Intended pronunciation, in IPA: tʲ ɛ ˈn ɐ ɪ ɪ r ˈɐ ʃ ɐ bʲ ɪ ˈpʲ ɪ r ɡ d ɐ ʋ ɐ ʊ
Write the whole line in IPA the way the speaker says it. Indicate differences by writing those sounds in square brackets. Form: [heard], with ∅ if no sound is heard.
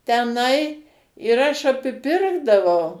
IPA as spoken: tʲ ɛ ˈn ɐ ɪ ɪ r ˈɐ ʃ ɐ [pʲ] ɪ ˈpʲ ɪ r ɡ d ɐ ʋ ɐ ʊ